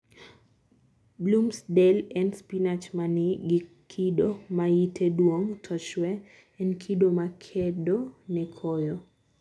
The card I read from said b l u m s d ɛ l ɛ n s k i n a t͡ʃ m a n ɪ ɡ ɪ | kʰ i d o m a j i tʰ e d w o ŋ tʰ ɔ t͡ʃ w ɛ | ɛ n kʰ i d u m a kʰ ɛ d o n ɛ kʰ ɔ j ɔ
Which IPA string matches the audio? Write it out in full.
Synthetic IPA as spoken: b l u m s d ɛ l ɛ n s p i n a t͡ʃ m a n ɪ ɡ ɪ | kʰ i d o m a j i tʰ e d w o ŋ tʰ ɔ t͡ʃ w ɛ | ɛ n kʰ i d o m a kʰ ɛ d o n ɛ kʰ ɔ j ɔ